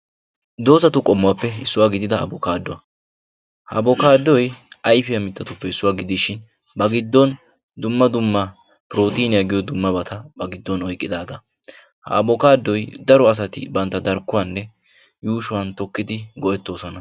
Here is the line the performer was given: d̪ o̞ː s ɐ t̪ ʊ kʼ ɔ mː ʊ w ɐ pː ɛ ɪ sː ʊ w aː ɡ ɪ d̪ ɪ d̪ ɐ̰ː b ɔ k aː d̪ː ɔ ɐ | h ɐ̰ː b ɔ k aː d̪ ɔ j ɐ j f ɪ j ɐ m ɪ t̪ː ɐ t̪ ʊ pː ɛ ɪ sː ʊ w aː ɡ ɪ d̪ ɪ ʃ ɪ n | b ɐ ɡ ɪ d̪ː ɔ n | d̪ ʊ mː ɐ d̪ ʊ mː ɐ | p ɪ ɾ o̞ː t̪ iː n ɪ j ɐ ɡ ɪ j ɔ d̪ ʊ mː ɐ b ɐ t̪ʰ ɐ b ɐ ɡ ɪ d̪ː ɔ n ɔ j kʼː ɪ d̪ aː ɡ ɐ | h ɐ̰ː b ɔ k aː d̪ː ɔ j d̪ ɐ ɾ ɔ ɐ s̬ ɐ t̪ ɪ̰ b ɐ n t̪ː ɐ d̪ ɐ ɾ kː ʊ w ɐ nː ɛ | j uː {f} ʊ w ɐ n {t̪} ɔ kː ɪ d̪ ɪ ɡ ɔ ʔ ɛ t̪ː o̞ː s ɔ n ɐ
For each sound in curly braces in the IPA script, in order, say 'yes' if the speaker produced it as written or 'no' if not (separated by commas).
no, yes